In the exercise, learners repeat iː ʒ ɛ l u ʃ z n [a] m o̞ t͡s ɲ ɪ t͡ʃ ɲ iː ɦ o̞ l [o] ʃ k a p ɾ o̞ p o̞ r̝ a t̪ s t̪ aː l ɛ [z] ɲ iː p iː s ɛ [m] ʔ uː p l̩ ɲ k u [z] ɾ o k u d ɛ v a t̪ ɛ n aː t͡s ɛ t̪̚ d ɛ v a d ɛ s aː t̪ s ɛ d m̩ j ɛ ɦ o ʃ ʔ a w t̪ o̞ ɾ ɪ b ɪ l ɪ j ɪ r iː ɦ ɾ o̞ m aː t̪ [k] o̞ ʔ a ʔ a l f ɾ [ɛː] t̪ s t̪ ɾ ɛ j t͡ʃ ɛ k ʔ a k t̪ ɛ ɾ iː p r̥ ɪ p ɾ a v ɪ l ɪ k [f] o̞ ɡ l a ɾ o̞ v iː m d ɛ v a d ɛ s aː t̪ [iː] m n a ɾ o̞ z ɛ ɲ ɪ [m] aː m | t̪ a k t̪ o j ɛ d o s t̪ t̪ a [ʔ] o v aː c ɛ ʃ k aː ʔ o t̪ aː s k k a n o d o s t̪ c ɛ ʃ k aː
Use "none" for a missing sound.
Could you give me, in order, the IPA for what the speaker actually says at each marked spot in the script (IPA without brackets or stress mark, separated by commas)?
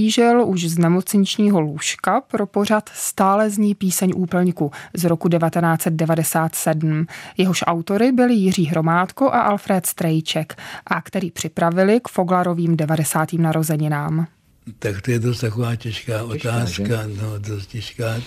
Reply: ɛ, u, z, ɲ, z, k, ɛː, f, iː, n, k